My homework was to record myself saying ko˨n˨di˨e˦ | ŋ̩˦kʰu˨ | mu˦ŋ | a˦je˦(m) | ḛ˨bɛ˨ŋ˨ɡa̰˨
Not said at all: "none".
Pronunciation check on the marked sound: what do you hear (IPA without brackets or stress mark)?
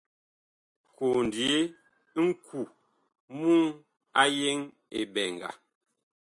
ŋ